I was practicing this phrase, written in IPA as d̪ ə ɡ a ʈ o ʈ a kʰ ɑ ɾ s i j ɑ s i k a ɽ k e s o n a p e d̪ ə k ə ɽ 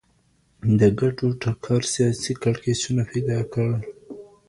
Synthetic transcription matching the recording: d̪ ə ɡ a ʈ o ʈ a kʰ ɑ ɾ s i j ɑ s i k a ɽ k e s u n a p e d̪ ɑ k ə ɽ